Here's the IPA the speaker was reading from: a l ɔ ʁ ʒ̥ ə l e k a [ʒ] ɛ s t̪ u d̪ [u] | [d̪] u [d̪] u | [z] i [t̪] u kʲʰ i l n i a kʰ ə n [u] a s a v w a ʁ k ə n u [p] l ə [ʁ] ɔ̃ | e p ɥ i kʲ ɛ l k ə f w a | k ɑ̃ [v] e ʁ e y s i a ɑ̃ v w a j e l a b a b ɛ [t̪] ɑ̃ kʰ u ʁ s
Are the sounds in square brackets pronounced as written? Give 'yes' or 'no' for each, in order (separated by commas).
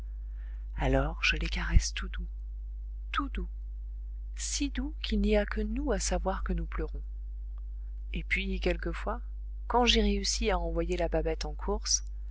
no, yes, no, yes, no, no, yes, yes, yes, no, yes